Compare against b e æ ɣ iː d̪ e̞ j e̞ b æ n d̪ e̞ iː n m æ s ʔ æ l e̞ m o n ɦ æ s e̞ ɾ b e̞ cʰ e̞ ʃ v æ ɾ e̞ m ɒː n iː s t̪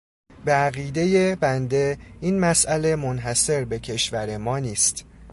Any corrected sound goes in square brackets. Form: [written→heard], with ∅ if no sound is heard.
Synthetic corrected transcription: b e æ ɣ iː d̪ e̞ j e̞ b æ n d̪ e̞ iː n m æ s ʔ æ l e̞ m o n ɦ æ s e̞ ɾ b e̞ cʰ e̞ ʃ v æ ɾ e̞ m ɒː n iː s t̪